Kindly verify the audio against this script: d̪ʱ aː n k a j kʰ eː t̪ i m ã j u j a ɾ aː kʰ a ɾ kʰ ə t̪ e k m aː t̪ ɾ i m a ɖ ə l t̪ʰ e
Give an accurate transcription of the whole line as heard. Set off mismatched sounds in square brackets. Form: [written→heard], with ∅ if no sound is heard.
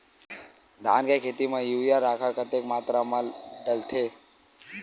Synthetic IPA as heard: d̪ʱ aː n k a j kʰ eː t̪ i m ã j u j a ɾ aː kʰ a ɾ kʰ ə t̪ e k m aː t̪ ɾ [i→a] m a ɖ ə l t̪ʰ e

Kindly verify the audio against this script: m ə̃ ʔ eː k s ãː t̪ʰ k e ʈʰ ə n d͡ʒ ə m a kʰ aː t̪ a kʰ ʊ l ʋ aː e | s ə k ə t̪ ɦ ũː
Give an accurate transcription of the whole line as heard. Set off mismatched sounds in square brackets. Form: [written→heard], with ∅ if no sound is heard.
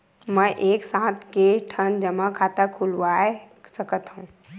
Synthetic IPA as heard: m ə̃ ʔ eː k s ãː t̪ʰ k e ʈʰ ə n d͡ʒ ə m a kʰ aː t̪ a kʰ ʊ l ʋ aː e | s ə k ə t̪ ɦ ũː

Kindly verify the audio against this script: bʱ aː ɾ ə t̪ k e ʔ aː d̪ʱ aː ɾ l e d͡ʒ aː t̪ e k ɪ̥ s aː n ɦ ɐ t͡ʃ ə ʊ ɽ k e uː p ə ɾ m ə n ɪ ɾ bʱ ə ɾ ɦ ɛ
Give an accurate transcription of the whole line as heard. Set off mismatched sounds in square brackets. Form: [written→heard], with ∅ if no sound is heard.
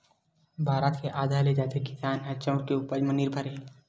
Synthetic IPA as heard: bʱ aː ɾ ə t̪ k e ʔ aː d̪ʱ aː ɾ l e d͡ʒ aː t̪ e k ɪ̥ s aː n ɦ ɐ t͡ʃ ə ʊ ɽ k e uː p ə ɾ m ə n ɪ ɾ bʱ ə ɾ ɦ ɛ

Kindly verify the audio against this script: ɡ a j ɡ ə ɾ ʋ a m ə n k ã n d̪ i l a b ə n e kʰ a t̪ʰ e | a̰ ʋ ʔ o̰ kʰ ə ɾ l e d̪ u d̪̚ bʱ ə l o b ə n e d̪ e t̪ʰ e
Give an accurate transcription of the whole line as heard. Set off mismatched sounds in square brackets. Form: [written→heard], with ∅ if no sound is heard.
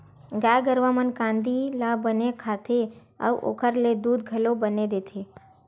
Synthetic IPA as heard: ɡ a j ɡ ə ɾ ʋ a m ə n k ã n d̪ i l a b ə n e kʰ a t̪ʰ e | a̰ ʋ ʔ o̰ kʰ ə ɾ l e d̪ u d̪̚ [bʱ→ɡʱ] ə l o b ə n e d̪ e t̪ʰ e

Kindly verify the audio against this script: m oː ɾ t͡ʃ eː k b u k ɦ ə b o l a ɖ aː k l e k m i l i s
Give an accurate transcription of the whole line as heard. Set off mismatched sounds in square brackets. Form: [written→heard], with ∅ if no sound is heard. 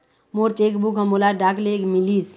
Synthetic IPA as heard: m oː ɾ t͡ʃ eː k b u k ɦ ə [b→m] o l a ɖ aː k l e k m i l i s

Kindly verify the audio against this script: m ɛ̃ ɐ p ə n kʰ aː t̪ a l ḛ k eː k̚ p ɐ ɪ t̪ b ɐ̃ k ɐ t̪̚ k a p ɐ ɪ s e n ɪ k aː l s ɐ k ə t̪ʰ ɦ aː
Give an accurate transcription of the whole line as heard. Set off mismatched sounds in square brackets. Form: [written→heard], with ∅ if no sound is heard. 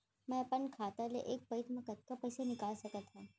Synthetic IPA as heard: m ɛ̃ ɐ p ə n kʰ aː t̪ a l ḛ [k→ʔ] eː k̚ p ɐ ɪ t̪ [b→m] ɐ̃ k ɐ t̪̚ k a p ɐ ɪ s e n ɪ k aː l s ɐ k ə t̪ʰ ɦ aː

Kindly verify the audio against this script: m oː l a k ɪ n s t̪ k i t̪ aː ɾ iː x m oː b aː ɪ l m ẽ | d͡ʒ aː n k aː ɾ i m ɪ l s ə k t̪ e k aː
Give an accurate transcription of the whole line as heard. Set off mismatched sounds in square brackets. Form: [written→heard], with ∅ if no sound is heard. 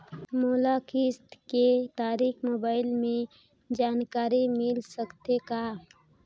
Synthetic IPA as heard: m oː l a k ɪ [n→∅] s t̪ k [i→e] t̪ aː ɾ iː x m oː b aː ɪ l m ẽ | d͡ʒ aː n k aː ɾ i m ɪ l s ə k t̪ e k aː

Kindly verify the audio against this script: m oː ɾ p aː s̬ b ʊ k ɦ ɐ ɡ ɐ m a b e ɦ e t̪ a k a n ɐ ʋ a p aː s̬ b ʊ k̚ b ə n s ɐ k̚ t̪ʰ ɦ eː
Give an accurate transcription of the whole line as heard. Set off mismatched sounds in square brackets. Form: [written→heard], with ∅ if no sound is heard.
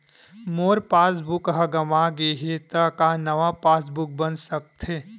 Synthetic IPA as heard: m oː ɾ p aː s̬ b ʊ k ɦ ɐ ɡ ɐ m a [b→ɡ] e ɦ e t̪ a k a n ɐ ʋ a p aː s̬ b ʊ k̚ b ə n s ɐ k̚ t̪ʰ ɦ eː

